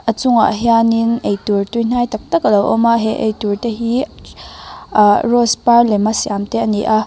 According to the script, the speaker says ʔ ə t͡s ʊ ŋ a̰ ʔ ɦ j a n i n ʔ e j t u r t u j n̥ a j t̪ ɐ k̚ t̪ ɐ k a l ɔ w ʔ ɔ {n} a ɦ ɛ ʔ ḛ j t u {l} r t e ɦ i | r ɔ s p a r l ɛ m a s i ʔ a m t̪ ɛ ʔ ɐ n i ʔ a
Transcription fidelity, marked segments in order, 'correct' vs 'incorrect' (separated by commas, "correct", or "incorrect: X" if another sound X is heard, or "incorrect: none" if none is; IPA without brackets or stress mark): incorrect: m, incorrect: none